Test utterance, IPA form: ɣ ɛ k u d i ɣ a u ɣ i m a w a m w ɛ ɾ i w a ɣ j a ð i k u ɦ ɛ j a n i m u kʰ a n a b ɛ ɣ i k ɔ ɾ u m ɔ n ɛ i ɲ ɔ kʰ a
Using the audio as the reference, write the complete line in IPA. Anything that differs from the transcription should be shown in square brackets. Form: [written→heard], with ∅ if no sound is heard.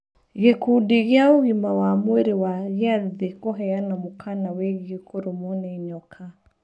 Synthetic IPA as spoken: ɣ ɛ k u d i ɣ a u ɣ i m a w a m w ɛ ɾ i w a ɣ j a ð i k [u→ɔ] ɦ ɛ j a n [i→a] m u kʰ a n a [b→w] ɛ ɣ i k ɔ ɾ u m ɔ n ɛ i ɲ ɔ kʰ a